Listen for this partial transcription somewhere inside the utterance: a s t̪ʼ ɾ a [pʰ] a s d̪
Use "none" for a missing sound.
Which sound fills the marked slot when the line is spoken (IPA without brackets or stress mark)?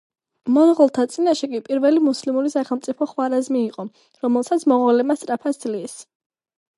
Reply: pʰ